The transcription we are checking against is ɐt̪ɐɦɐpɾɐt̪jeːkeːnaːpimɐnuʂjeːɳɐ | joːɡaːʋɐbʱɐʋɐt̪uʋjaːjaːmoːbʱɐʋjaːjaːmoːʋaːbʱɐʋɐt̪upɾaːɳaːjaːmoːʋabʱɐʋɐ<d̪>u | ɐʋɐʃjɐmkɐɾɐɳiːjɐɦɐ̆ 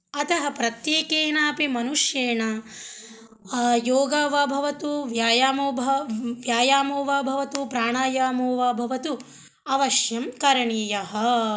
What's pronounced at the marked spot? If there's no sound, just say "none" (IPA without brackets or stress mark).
t̪